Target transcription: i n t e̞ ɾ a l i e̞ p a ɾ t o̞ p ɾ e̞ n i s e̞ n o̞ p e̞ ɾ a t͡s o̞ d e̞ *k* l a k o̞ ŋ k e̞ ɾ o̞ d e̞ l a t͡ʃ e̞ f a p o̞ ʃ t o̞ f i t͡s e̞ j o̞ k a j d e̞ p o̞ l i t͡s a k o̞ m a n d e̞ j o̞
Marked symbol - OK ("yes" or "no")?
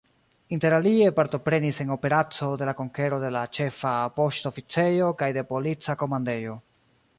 no